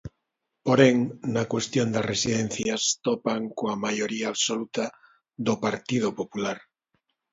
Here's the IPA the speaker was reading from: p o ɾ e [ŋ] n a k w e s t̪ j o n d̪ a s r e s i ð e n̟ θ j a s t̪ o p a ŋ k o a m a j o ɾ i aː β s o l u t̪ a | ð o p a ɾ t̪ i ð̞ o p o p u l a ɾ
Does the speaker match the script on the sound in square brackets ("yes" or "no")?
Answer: yes